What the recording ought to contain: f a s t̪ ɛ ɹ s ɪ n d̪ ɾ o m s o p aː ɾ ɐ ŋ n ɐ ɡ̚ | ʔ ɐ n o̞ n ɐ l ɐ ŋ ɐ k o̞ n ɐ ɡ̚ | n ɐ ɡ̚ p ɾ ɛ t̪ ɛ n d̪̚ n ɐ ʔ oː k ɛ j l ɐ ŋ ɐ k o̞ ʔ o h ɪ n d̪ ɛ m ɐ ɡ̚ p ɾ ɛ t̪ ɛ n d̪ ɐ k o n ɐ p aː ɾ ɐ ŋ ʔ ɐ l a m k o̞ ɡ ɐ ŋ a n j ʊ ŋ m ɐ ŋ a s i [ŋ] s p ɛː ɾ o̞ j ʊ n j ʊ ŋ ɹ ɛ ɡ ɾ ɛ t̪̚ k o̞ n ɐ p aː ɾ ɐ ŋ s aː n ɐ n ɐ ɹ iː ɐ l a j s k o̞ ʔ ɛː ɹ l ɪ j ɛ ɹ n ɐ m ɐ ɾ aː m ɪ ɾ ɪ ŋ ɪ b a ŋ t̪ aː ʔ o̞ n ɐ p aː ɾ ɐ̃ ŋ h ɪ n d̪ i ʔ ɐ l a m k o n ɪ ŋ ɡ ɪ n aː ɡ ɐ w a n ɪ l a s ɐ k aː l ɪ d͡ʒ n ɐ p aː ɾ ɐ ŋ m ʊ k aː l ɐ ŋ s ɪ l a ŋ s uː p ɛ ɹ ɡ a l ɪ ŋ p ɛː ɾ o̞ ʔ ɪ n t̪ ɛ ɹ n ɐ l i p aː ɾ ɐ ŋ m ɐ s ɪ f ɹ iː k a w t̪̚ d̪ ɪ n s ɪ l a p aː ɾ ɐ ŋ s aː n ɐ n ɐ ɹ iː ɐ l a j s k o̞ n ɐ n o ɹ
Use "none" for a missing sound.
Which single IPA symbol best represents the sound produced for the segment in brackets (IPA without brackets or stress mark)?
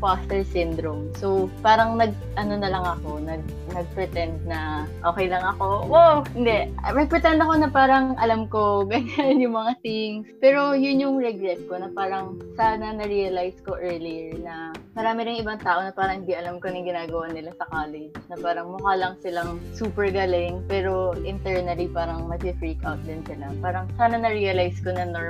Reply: ŋ